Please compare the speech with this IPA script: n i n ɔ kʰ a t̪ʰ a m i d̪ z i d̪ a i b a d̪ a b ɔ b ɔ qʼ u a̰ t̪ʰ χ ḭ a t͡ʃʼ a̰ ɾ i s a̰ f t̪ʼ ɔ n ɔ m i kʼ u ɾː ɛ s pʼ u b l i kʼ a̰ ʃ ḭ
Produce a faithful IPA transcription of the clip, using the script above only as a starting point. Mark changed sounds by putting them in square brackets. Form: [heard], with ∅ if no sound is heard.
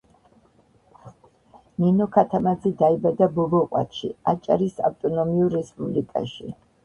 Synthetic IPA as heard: n i n ɔ kʰ a t̪ʰ a m [a] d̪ z i d̪ a i b a d̪ a b ɔ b ɔ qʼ [w] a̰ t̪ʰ [ʃ] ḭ a t͡ʃʼ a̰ ɾ i s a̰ f t̪ʼ ɔ n ɔ m i [∅] u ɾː ɛ s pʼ u b l i kʼ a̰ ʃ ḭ